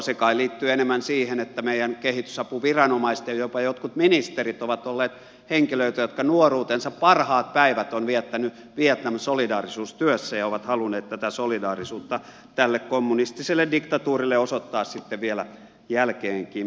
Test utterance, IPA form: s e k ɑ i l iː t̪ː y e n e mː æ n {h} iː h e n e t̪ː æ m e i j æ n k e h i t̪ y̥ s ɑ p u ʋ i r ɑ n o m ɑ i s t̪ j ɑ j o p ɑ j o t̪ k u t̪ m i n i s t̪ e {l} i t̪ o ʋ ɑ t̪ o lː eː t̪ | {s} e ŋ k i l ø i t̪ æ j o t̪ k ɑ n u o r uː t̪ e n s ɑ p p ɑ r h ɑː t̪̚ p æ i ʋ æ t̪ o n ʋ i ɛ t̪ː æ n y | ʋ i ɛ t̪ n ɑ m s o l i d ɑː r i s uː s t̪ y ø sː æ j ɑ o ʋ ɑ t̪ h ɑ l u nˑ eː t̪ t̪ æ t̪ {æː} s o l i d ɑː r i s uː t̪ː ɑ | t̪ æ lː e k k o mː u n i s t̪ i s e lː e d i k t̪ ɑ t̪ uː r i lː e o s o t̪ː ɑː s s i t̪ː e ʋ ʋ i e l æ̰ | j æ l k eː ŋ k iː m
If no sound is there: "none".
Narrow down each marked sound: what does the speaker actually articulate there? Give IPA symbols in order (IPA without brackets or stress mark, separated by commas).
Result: s, r, h, æ